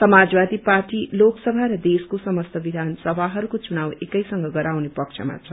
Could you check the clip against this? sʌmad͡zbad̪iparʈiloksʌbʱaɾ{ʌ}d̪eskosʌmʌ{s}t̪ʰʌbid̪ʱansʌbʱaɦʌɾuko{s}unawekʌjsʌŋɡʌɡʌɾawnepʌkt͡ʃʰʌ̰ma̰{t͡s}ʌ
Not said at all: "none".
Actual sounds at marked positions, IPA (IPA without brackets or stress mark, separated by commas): ʌ, s, t͡s, t͡sʰ